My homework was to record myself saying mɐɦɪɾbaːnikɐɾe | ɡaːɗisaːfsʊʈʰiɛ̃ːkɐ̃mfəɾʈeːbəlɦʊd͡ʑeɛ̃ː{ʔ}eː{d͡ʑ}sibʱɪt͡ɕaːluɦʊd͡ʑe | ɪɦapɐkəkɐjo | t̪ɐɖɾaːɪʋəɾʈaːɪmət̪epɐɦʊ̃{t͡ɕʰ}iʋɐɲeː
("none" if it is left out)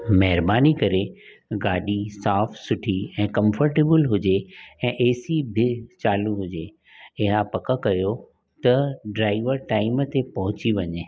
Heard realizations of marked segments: ʔ, none, t͡ɕ

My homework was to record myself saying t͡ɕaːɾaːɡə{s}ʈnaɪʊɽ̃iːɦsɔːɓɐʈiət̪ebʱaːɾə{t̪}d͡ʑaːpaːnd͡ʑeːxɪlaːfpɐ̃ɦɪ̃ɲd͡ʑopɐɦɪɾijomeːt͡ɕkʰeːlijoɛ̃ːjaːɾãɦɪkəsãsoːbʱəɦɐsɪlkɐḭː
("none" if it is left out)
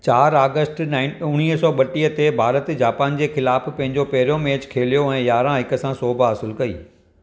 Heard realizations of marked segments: s, t̪

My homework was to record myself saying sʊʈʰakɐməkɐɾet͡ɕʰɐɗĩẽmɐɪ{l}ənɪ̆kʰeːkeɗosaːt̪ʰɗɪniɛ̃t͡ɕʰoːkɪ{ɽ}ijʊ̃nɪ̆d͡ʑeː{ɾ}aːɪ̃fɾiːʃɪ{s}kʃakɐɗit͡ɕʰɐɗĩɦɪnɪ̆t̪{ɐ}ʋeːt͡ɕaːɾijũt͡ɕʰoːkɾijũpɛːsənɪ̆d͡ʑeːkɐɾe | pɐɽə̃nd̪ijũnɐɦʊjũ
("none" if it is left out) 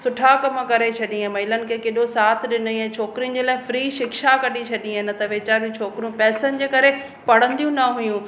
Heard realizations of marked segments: l, ɾ, l, none, ɐ

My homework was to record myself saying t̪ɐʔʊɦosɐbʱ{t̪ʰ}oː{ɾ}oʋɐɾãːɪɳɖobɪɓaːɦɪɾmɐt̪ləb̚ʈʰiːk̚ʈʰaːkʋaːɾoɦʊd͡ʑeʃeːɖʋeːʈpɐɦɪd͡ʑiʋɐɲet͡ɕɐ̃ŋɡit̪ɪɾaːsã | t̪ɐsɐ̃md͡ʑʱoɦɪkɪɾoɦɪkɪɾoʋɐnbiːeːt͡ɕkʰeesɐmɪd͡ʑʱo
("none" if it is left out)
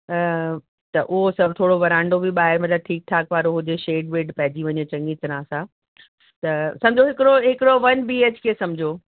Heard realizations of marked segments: t̪ʰ, ɽ

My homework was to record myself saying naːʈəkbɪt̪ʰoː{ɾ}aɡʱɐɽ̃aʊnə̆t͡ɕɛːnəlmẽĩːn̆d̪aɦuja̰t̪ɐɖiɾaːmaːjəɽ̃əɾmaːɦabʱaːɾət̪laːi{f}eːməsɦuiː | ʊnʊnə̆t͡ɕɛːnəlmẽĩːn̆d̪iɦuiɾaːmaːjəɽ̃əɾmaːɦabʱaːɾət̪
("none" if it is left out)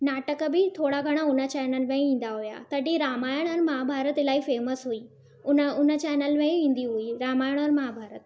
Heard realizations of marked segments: ɽ, f

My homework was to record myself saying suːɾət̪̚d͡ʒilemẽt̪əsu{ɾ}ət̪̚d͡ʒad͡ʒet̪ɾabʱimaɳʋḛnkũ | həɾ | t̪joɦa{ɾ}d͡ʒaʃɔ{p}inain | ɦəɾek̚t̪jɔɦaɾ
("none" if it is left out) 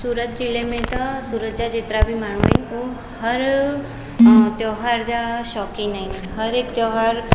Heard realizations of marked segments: ɾ, ɾ, k

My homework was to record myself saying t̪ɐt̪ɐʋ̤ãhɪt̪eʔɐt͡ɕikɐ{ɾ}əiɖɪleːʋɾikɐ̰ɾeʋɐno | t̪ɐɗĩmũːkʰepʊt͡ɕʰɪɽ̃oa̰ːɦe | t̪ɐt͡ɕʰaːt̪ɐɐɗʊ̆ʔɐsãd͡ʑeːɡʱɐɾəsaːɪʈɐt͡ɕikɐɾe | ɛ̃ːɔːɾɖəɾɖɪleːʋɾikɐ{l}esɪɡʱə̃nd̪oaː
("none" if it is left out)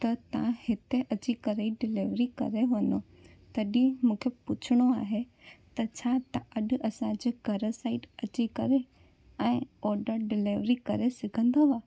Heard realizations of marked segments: ɾ, ɾ

